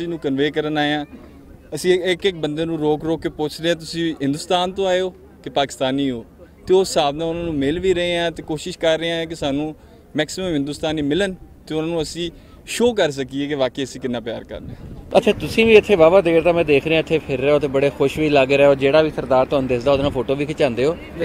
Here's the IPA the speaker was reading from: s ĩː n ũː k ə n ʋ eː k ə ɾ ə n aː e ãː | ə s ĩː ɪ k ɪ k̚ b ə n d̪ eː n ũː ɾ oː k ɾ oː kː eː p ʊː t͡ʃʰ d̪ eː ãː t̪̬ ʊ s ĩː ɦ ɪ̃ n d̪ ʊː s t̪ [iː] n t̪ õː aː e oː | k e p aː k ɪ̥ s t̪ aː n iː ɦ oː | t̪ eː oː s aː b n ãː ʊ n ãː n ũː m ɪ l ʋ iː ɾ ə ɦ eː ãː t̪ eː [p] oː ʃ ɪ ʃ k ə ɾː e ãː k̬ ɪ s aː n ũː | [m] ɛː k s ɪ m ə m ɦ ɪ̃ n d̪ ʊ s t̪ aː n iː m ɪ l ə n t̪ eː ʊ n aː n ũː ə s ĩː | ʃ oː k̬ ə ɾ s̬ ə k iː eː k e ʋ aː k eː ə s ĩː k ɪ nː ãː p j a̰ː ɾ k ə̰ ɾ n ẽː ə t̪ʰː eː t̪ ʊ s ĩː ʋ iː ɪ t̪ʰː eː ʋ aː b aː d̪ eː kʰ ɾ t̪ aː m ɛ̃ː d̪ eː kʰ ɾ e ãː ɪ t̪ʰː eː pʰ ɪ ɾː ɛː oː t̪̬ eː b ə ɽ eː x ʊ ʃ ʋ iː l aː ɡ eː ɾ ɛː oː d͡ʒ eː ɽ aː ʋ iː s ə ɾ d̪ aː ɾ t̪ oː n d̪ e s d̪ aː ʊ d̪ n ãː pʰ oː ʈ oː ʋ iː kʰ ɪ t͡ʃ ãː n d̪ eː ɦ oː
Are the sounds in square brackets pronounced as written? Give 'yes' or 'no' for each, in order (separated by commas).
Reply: no, no, yes